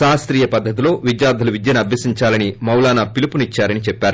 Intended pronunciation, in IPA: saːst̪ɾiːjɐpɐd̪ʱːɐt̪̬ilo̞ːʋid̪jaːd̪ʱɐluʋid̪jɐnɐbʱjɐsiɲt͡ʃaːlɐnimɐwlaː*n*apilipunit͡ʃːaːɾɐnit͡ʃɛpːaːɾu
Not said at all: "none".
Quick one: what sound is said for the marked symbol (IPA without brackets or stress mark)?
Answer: n